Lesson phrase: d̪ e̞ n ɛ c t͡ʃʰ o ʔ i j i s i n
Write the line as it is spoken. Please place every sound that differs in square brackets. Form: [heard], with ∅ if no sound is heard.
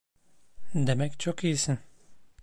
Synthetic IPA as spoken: d̪ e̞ [m] ɛ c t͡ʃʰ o [k] i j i s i n